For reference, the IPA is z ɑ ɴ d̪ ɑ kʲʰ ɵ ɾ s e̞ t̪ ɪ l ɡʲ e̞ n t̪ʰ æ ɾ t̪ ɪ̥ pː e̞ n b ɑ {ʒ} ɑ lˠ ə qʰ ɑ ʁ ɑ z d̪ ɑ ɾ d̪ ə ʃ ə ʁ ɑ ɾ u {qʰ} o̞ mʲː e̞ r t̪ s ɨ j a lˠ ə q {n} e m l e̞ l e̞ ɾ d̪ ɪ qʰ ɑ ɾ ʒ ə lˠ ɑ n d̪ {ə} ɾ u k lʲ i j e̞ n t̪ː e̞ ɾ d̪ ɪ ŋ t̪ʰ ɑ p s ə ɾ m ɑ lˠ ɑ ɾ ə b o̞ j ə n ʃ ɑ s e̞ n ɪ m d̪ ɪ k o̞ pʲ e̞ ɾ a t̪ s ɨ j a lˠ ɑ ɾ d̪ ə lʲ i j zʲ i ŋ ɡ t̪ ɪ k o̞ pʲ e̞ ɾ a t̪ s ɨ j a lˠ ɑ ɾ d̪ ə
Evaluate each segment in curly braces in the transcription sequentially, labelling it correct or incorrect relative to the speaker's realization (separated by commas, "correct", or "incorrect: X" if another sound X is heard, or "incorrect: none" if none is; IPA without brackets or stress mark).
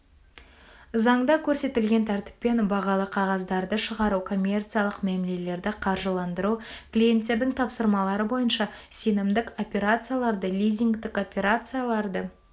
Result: incorrect: ʁ, incorrect: kʰ, incorrect: m, correct